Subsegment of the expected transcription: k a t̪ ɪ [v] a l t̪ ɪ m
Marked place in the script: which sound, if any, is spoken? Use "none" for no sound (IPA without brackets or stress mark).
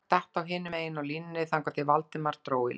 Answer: v